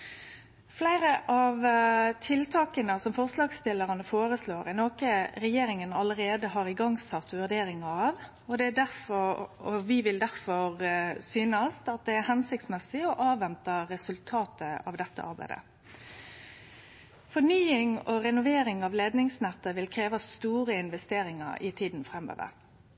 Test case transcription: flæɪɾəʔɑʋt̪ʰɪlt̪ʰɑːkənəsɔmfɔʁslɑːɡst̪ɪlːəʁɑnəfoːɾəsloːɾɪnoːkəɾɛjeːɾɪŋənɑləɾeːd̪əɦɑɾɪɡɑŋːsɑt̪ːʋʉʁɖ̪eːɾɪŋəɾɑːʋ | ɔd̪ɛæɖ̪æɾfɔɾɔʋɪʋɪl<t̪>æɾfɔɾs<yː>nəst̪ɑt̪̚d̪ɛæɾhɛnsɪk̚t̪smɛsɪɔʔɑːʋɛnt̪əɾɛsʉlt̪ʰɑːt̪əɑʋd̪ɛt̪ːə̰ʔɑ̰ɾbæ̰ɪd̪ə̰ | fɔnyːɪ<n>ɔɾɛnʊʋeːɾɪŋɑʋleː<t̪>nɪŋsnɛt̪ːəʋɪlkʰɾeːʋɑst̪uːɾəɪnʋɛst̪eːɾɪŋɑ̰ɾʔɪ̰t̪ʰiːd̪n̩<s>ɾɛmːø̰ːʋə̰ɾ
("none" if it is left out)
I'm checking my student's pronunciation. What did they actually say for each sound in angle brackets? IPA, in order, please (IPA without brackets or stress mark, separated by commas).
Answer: d̪, yː, ŋ, d̪, f